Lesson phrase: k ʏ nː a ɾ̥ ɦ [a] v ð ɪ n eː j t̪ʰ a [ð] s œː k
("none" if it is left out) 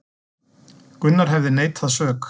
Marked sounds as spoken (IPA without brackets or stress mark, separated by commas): ɛ, ð